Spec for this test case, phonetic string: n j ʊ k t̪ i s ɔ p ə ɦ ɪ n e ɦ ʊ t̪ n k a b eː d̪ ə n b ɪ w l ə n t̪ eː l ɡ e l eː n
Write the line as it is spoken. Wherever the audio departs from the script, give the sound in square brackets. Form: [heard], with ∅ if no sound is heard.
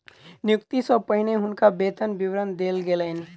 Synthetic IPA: n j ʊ k t̪ i s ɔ p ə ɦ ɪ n e ɦ ʊ [∅] n k a b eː [t̪] ə n b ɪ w [ɾ] ə n [d̪] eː l ɡ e l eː n